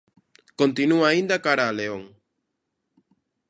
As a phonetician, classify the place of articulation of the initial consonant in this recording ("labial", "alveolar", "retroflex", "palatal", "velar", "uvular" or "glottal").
velar